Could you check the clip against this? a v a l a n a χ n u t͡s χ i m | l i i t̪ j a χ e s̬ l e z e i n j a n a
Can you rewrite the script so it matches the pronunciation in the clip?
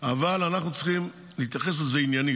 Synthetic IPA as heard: a v a l a n a χ n u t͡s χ i m | l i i t̪ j a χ e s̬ l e z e i n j a n i